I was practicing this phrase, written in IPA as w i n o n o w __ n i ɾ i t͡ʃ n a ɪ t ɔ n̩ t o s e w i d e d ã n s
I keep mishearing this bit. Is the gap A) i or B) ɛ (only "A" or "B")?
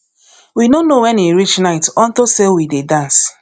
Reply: B